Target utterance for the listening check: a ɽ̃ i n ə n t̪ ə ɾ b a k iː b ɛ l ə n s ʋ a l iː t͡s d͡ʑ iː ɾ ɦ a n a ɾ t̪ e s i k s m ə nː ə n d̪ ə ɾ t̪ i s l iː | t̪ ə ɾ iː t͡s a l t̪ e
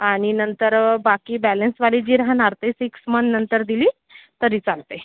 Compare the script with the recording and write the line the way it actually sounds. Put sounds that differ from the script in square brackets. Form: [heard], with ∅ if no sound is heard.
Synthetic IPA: a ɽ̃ i n ə n t̪ ə ɾ b a k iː b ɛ l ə n s ʋ a l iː [∅] d͡ʑ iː ɾ ɦ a n a ɾ t̪ e s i k s m ə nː ə n [t̪] ə ɾ [d̪] i [∅] l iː | t̪ ə ɾ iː t͡s a l t̪ e